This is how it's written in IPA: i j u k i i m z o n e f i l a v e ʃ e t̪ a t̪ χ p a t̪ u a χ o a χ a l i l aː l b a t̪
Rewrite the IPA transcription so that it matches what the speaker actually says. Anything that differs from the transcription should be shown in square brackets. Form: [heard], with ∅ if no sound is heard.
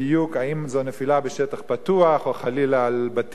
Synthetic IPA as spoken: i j u k [a] i m z o n e f i l a [b] e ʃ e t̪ a [∅] χ p a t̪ u a χ o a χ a l i l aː l b a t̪